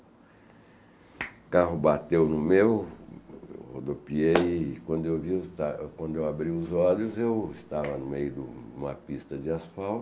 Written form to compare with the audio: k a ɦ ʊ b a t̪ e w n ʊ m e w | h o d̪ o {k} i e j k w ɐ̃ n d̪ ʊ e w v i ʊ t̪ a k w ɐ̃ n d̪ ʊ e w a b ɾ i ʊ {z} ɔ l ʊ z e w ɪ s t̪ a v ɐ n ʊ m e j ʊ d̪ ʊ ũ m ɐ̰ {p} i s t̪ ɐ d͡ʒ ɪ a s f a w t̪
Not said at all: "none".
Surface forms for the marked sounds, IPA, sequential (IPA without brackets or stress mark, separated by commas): p, z, p